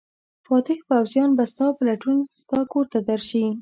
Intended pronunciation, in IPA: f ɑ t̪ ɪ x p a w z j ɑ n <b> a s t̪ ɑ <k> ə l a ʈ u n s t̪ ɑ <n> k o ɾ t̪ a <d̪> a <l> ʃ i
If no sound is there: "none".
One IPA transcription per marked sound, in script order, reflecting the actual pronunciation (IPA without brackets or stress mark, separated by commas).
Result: b, p, none, d̪, ɾ